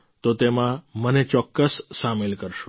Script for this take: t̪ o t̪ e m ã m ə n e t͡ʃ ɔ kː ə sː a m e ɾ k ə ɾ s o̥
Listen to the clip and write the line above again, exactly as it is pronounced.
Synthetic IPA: t̪ o t̪ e m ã m ə n e t͡ʃ ɔ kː ə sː a m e l k ə ɾ ʃ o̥

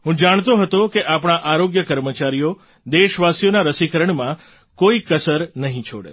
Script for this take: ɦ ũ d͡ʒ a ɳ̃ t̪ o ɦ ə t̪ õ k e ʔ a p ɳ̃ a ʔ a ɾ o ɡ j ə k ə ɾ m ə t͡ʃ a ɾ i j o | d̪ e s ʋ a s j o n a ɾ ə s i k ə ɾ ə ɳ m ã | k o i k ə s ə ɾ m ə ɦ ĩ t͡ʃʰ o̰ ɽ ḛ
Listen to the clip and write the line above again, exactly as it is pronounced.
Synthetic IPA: ɦ ũ d͡ʒ a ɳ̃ t̪ o ɦ ə t̪ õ k e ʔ a p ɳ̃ a ʔ a ɾ o ɡ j ə k ə ɾ m ə t͡ʃ a ɾ i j o | d̪ e ʃ ʋ a s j o n a ɾ ə s i k ə ɾ ə ɳ m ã | k o i k ə s ə ɾ n ə ɦ ĩ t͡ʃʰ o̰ ɽ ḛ

